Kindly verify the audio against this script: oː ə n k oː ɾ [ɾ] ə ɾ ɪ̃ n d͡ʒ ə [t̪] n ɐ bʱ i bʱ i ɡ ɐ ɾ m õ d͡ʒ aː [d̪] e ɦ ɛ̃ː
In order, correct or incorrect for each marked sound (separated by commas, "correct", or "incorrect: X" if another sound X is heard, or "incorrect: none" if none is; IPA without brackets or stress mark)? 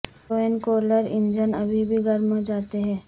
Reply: incorrect: l, incorrect: none, incorrect: t̪